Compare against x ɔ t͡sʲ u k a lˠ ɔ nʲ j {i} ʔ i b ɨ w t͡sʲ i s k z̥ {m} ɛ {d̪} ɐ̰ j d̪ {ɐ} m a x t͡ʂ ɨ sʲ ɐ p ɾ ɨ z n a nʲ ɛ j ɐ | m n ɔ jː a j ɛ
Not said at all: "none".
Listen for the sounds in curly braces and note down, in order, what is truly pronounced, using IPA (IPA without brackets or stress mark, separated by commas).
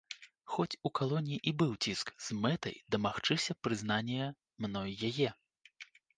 i, m, t̪, ɐ